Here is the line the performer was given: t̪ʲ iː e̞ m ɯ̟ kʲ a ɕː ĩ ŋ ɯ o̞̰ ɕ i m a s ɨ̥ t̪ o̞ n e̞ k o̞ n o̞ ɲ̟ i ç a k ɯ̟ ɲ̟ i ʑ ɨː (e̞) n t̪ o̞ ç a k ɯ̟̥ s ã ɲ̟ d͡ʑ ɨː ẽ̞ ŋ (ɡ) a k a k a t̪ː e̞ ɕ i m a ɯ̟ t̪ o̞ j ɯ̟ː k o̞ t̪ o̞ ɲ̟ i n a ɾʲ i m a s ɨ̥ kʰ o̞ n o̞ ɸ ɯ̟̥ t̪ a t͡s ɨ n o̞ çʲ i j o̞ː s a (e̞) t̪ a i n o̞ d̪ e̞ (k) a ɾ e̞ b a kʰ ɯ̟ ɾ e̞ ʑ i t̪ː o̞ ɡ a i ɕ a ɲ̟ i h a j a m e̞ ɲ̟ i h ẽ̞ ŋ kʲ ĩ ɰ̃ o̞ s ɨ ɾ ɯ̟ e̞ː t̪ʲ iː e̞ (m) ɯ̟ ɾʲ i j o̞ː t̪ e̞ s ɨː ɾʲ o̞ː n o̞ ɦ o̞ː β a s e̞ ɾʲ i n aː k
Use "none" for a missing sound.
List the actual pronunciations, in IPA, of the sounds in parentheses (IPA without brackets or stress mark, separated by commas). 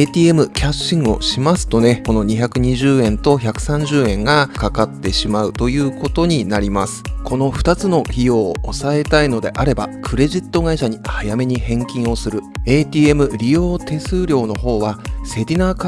ẽ̞, ɡ, e̞, ʔ, m